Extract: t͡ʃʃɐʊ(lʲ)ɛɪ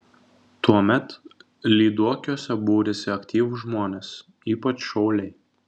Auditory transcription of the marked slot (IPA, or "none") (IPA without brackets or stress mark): lʲ